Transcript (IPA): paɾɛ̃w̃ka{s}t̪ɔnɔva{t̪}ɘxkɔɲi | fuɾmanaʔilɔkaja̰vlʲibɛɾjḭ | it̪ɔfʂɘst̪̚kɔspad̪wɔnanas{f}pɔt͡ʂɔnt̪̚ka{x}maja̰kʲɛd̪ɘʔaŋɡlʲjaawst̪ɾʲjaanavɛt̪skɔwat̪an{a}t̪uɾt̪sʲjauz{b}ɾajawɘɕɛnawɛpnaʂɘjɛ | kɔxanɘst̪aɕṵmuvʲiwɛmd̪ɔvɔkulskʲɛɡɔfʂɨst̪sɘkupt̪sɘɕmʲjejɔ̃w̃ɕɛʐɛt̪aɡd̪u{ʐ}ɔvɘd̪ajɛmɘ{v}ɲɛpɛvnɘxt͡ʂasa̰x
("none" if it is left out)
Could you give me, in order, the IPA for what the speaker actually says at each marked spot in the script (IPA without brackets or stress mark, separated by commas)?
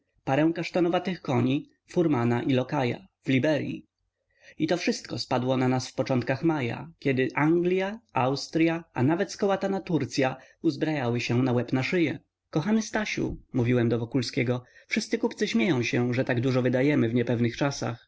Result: ʂ, t̪, f, x, a, b, ʐ, v